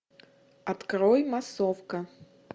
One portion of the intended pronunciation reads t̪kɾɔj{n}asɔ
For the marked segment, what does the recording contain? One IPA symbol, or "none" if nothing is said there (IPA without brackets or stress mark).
m